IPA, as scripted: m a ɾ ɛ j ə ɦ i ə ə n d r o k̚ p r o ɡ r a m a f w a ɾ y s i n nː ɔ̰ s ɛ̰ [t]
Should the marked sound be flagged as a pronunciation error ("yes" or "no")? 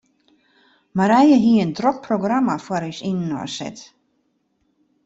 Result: no